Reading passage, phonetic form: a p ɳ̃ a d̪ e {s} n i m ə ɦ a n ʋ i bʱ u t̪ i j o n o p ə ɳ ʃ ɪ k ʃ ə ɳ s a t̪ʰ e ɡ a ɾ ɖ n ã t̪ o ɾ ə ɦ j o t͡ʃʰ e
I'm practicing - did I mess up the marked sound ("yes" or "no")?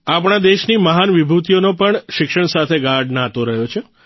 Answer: yes